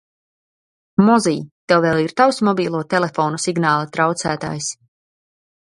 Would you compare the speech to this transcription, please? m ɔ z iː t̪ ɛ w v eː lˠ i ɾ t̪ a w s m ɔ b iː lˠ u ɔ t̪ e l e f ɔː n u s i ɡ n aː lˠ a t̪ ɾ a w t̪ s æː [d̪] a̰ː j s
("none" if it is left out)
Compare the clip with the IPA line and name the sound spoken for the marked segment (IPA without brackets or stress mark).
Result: t̪